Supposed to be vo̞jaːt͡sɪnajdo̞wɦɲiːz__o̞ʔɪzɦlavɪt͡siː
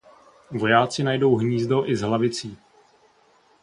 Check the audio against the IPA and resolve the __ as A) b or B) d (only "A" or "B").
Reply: B